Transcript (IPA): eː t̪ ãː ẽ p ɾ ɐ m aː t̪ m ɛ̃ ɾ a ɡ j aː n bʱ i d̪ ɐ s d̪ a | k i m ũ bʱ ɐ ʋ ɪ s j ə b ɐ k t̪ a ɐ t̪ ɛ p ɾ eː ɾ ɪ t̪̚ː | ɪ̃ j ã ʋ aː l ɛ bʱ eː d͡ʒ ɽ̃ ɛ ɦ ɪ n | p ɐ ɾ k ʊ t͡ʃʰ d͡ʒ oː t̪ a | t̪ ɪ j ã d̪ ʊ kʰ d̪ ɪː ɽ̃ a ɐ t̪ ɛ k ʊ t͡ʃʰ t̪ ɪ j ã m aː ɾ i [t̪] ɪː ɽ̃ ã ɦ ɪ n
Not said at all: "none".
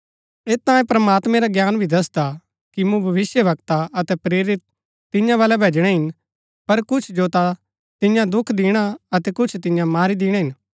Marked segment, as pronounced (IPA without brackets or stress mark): d̪